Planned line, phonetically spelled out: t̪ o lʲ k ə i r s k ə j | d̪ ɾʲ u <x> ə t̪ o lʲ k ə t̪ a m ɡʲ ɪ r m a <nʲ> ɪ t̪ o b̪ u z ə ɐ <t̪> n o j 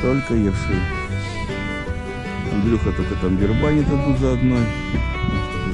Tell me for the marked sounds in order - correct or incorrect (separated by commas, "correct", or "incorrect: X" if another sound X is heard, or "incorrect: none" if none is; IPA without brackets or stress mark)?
correct, correct, incorrect: d̪